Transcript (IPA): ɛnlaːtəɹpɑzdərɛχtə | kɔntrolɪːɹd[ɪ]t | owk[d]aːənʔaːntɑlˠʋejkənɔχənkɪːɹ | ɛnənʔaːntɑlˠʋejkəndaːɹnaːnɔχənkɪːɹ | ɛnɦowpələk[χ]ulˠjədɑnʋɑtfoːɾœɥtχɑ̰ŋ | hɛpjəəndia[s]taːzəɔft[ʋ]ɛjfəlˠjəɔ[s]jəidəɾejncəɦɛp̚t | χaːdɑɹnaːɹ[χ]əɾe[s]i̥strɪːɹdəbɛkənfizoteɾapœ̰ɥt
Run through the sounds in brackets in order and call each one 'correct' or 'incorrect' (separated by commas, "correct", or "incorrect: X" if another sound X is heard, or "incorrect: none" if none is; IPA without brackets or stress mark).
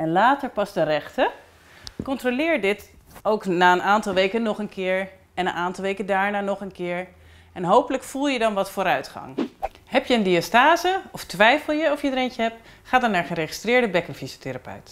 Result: correct, incorrect: n, incorrect: f, correct, correct, incorrect: f, correct, incorrect: χ